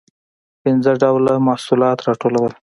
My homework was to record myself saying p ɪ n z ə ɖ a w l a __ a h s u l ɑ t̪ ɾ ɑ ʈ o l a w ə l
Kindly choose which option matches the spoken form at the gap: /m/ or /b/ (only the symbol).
m